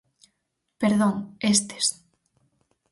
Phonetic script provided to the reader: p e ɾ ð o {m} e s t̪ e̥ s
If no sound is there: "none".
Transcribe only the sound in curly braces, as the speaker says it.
ŋ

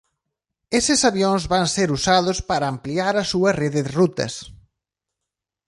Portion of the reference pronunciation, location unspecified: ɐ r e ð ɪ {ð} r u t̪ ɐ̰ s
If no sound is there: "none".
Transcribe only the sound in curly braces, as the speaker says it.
ð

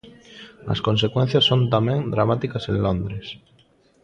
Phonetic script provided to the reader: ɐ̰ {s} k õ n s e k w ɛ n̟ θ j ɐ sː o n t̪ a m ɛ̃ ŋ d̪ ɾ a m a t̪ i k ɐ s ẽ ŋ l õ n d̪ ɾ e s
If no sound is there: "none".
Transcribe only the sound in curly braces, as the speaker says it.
s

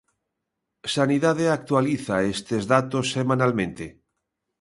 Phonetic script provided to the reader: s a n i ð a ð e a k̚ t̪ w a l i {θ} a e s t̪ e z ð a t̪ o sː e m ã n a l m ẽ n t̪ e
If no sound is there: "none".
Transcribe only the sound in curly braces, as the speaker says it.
θ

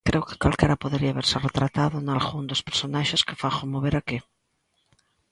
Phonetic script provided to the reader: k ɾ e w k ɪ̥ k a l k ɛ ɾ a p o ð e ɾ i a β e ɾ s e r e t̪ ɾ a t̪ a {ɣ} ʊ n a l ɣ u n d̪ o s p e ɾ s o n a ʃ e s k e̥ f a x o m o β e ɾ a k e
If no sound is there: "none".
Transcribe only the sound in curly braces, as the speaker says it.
ð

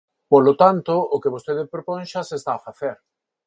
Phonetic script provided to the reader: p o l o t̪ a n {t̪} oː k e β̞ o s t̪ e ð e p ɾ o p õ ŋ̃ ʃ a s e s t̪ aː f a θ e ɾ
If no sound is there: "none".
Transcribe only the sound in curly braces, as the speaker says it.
t̪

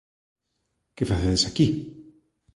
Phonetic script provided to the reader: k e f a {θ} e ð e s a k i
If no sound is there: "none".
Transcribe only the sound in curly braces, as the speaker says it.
θ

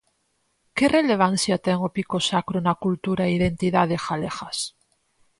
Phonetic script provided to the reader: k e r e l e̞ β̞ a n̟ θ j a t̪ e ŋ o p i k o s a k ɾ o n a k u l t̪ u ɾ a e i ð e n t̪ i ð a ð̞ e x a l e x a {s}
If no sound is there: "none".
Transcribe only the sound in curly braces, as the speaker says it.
s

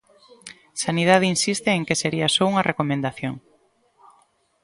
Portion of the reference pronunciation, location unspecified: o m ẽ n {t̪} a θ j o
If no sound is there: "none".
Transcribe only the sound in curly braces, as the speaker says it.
d̪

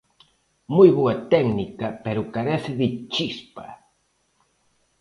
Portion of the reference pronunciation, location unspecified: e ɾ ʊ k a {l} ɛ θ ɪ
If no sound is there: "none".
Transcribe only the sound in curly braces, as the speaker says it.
ɾ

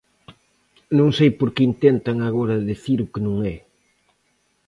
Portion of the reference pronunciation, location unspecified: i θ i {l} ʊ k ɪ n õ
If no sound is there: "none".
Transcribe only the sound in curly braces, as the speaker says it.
ɾ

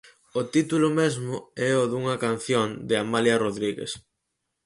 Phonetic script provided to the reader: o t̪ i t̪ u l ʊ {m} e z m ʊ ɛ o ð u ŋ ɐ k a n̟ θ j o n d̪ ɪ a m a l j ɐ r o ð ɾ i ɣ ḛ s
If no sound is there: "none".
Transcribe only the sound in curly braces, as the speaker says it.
m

